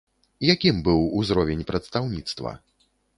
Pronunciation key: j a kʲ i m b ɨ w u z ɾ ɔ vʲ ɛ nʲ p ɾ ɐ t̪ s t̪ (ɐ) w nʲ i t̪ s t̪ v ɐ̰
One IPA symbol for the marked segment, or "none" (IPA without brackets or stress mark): a